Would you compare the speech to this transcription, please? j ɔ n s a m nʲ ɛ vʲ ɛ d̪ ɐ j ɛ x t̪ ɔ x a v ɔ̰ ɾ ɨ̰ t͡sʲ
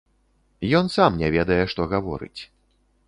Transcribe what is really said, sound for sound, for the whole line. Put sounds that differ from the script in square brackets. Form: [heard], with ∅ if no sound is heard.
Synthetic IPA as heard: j ɔ n s a m nʲ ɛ vʲ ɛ d̪ ɐ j ɛ [ʂ] t̪ ɔ [ɣ] a v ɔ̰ ɾ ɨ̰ t͡sʲ